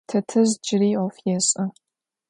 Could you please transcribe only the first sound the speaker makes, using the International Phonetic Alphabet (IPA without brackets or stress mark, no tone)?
tʰ